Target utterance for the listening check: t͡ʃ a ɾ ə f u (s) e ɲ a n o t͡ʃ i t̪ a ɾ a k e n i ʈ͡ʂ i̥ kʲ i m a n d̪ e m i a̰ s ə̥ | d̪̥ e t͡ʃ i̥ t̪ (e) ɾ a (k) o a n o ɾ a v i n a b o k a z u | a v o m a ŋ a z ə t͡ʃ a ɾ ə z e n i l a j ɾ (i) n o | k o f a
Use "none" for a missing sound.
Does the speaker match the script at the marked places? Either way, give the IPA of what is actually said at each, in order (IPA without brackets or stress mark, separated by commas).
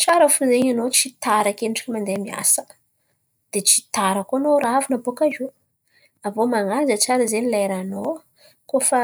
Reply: z, a, k, a